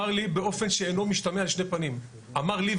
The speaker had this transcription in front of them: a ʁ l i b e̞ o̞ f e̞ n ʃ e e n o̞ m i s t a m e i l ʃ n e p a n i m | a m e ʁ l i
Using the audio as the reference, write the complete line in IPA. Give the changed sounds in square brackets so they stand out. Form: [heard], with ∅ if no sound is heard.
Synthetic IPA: a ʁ l i b e̞ o̞ f e̞ n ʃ e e n o̞ m i [ʃ] t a m e [a] l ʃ n e p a n i m | a m [a] ʁ l i